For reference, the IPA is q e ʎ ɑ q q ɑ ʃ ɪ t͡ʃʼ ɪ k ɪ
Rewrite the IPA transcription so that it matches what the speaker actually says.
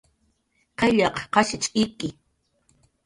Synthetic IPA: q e ʎ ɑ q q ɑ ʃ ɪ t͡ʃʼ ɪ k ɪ